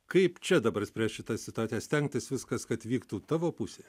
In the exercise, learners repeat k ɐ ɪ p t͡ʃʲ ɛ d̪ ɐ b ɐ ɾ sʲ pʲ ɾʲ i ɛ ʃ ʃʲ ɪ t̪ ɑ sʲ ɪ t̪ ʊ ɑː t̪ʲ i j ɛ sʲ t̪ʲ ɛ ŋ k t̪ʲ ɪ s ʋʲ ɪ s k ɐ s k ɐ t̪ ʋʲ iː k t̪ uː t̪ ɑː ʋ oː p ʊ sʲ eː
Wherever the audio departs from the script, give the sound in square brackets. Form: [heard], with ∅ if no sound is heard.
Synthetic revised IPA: k ɐ ɪ p t͡ʃʲ ɛ d̪ ɐ b ɐ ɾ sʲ pʲ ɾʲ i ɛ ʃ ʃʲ ɪ t̪ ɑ sʲ ɪ t̪ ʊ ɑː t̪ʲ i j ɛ sʲ t̪ʲ ɛ ŋ k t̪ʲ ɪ s ʋʲ ɪ s k ɐ s k ɐ t̪ ʋʲ iː k t̪ uː t̪ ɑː ʋ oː p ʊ sʲ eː